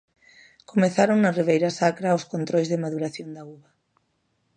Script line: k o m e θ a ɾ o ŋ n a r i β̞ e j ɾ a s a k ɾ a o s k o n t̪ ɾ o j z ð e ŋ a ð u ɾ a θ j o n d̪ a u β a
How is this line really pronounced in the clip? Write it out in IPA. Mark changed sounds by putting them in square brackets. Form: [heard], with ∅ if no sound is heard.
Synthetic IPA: k o m e θ a ɾ o ŋ n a r i β̞ e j ɾ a s a k ɾ a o s k o n t̪ ɾ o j z ð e [m] a ð u ɾ a θ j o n d̪ a u β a